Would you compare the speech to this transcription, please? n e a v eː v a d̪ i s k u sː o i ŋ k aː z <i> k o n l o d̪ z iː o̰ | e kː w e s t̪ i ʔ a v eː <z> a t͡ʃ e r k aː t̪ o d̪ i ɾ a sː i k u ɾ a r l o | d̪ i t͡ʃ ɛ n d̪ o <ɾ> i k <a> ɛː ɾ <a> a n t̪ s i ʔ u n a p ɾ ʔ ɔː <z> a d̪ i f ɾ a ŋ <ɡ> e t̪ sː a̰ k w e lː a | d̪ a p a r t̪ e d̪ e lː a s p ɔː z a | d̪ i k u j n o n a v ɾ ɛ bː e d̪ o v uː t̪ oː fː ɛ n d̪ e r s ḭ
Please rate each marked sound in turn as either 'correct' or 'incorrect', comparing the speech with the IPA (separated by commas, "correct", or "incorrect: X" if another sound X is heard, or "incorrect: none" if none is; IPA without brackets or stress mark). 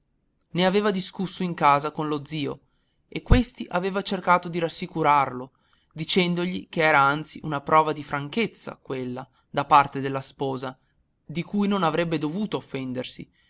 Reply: incorrect: a, incorrect: v, incorrect: ʎ, incorrect: e, correct, incorrect: v, incorrect: k